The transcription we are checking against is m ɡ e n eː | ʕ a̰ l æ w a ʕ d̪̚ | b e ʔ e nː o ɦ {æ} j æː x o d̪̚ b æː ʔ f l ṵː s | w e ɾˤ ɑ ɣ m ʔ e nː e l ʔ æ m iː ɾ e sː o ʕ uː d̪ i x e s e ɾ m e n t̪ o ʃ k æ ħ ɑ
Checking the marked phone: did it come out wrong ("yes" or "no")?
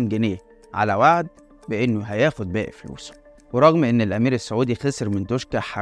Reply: no